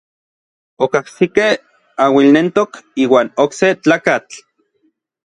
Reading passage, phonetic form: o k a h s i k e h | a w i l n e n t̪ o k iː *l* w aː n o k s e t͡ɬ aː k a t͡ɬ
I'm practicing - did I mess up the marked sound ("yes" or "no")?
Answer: yes